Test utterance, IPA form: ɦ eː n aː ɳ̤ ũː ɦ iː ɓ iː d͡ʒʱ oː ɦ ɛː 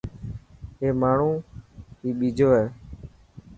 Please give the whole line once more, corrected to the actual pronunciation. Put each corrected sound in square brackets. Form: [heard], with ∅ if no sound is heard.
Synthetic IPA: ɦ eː [m] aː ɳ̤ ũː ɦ iː ɓ iː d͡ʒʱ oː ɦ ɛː